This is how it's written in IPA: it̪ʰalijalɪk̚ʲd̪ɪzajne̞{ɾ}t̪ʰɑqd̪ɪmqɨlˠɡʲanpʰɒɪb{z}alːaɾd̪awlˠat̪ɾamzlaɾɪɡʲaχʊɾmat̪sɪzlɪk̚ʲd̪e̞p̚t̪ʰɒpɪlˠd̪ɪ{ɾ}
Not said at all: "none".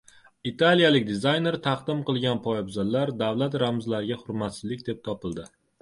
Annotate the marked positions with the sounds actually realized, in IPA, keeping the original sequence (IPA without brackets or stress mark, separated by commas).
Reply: ɾ, z, none